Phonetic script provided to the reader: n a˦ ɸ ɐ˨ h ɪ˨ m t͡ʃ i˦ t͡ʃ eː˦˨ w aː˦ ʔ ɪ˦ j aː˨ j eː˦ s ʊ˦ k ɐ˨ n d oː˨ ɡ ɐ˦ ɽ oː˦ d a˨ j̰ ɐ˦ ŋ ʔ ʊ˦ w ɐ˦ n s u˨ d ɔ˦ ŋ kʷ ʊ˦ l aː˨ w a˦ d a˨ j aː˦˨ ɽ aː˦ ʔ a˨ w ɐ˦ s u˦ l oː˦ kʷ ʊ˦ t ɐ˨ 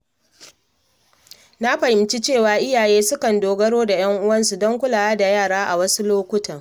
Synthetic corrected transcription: n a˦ ɸ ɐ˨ h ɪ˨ m t͡ʃ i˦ t͡ʃ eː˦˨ w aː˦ ʔ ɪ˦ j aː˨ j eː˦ s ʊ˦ k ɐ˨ n d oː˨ ɡ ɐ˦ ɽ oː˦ d a˨ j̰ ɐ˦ ŋ ʔ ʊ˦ w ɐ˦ n s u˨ d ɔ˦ ŋ kʷ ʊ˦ l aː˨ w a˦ d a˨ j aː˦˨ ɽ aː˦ ʔ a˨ w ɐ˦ s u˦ l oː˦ kʷ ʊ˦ t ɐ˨